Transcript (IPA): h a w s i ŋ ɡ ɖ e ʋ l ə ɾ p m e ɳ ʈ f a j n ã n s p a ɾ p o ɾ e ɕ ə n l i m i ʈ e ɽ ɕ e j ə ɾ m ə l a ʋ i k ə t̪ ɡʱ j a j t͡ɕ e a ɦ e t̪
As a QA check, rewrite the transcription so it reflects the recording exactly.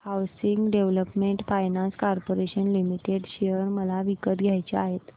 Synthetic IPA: h a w s i ŋ ɡ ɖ e ʋ l ə p m e ɳ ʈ f a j n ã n s k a ɾ p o ɾ e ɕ ə n l i m i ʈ e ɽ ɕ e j ə ɾ m ə l a ʋ i k ə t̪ ɡʱ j a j t͡ɕ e a ɦ e t̪